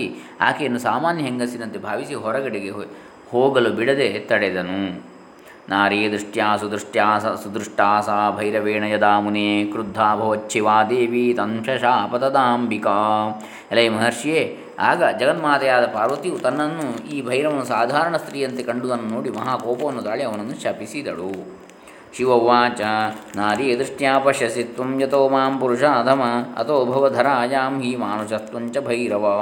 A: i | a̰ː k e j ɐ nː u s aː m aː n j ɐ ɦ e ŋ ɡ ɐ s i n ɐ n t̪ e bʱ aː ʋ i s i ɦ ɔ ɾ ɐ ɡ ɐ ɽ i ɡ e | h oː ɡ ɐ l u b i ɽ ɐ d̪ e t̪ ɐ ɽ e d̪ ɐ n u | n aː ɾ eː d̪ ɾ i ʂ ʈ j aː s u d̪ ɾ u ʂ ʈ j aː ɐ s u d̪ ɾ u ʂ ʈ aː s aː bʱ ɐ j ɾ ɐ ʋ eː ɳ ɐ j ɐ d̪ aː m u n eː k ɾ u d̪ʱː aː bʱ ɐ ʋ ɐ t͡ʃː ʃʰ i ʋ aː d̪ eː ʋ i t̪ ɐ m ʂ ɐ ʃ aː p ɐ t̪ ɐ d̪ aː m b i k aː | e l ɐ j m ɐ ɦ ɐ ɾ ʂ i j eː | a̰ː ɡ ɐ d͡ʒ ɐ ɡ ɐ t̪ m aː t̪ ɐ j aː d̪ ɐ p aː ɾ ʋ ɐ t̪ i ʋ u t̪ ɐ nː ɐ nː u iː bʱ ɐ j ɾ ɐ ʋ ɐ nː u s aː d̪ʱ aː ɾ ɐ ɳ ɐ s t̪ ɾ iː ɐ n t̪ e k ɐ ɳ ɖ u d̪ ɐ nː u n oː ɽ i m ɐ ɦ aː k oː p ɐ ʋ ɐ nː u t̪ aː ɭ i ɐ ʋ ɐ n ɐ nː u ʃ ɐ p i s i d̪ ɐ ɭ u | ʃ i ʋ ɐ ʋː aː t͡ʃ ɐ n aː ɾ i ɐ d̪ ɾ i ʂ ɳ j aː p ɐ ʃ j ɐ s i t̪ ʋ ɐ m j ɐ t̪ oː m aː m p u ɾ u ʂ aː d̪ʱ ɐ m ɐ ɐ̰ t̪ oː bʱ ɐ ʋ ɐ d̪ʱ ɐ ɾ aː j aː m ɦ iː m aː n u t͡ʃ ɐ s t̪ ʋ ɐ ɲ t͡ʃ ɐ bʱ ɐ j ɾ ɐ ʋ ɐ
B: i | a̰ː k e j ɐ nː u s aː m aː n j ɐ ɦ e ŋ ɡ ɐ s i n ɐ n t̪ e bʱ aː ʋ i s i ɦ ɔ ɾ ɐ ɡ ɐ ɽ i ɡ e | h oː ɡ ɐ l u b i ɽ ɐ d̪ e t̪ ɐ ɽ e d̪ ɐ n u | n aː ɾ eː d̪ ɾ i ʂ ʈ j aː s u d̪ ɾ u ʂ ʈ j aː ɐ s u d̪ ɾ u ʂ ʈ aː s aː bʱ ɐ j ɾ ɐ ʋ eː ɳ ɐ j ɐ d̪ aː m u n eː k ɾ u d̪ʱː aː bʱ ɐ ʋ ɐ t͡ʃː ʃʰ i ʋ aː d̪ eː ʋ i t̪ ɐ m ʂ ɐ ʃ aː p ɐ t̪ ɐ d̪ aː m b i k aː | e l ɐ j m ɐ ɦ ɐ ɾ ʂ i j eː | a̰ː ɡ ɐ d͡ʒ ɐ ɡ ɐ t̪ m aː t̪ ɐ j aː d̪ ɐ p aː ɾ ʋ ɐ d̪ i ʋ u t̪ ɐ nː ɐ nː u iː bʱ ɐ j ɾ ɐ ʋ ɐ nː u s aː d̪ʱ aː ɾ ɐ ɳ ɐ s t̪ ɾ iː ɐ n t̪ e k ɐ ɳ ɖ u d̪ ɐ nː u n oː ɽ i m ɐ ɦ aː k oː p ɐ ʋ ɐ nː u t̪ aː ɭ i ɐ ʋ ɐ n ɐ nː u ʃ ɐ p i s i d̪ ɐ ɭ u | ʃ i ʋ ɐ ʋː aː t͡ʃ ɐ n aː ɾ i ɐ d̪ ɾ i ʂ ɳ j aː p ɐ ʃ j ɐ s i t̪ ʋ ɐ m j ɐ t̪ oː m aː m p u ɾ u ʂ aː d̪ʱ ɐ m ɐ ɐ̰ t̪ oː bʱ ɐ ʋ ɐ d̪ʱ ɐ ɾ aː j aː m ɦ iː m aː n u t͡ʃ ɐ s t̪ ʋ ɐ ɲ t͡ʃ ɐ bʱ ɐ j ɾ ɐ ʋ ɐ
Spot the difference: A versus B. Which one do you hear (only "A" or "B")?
A